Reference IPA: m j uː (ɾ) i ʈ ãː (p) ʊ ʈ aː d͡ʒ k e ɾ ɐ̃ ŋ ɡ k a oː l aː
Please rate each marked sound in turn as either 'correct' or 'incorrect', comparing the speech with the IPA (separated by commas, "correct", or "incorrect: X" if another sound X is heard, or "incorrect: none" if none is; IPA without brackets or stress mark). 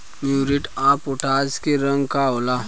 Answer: correct, correct